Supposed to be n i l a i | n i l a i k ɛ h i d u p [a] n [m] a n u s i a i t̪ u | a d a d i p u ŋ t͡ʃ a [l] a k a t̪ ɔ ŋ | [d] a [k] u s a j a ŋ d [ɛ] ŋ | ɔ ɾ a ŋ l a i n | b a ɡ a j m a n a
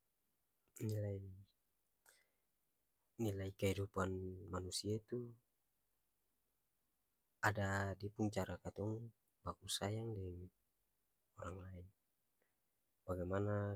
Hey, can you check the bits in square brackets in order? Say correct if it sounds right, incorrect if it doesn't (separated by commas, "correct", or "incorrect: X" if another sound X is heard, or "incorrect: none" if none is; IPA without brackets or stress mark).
correct, correct, incorrect: ɾ, incorrect: b, correct, correct